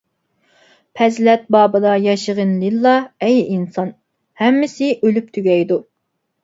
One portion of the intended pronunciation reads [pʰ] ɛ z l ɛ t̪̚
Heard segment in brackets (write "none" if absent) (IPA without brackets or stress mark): pʰ